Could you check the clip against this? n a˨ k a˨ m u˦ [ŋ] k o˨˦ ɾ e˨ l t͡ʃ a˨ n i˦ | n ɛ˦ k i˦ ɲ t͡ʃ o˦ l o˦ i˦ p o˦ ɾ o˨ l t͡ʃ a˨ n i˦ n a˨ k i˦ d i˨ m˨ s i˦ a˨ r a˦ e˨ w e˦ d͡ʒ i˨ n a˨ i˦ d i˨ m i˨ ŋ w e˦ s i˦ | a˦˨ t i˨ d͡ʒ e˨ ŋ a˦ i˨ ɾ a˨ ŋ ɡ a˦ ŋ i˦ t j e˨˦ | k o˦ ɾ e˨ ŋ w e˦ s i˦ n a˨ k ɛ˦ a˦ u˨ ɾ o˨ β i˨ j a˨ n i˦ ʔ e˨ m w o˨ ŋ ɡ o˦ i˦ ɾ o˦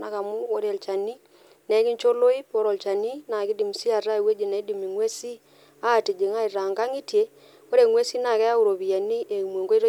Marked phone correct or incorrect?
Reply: incorrect